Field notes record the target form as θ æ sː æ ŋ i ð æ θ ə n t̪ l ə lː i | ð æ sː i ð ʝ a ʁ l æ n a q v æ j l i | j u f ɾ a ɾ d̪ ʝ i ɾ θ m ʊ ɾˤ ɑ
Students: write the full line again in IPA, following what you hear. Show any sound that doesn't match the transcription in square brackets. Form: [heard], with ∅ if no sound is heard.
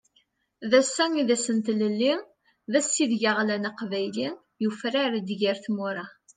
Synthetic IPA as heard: [ð] æ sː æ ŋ i ð æ [s] ə n t̪ l ə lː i | ð æ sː i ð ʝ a ʁ l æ n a q v æ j l i | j u f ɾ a ɾ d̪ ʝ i ɾ θ m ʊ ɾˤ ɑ